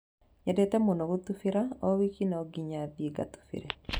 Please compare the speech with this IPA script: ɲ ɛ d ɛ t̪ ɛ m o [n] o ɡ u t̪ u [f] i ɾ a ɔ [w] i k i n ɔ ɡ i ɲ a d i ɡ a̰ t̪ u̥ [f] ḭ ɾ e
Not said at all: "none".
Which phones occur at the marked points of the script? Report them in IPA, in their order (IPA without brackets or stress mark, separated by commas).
n, f, w, f